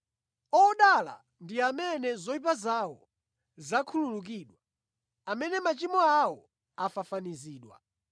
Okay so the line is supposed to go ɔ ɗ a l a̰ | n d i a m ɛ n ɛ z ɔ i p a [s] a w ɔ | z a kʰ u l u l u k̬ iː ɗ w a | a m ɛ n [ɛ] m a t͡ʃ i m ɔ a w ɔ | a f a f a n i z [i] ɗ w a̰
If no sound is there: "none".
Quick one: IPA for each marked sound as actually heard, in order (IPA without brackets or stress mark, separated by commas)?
z, ɛ, iː